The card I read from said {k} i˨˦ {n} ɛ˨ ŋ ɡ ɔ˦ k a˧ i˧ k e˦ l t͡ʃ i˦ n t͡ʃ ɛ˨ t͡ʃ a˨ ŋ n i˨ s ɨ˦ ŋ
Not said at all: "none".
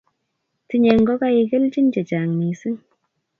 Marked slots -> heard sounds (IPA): t, ɲ

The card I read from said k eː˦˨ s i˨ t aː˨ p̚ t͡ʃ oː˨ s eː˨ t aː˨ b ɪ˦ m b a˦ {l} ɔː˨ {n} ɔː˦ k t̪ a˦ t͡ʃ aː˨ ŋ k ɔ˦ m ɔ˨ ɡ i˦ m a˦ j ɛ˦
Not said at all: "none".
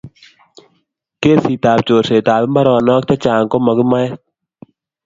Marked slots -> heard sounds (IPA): ɾ, n

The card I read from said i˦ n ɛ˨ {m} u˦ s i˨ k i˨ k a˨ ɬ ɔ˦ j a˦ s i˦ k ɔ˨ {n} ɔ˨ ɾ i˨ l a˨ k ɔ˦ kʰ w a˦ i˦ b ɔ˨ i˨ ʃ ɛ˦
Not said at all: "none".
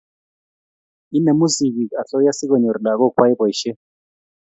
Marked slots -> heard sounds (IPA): m, ɲ

